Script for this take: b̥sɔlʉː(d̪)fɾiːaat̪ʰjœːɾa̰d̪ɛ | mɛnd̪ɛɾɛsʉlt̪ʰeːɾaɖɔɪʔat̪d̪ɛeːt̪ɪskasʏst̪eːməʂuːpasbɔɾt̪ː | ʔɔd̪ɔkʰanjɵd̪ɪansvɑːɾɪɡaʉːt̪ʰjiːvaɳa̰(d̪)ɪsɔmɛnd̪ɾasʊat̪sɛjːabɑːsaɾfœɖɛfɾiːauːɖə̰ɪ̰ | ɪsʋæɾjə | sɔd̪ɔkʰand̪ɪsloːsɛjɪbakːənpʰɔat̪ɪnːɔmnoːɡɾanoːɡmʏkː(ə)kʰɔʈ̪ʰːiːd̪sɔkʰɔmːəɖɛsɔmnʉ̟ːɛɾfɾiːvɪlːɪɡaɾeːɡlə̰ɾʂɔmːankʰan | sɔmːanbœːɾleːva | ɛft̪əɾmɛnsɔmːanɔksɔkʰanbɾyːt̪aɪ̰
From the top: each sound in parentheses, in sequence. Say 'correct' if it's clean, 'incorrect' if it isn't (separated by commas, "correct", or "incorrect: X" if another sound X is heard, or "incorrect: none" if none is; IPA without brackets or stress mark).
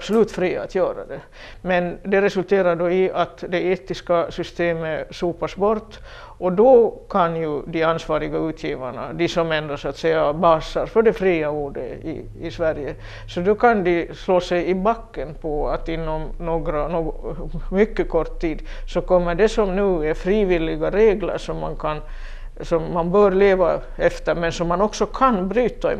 incorrect: t̪, correct, correct